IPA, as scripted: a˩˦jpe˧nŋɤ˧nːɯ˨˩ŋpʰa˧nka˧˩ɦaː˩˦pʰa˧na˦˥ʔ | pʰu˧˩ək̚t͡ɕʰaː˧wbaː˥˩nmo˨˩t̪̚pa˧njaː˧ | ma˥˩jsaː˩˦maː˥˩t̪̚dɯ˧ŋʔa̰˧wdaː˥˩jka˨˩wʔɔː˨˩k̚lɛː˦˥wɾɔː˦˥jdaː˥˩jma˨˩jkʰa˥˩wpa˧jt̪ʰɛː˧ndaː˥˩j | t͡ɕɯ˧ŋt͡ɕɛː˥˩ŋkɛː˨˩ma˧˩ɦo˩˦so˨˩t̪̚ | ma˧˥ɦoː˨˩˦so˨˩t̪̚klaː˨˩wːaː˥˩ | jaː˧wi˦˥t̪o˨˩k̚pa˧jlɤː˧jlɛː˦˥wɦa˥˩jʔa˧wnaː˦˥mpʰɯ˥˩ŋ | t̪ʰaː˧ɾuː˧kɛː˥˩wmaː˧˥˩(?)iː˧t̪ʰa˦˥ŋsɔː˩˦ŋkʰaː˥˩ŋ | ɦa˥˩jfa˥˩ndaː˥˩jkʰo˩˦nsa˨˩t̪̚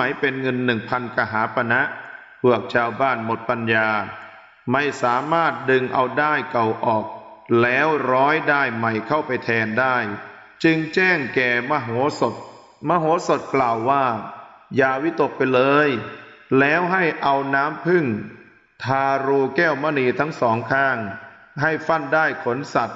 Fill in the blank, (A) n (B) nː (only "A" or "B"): A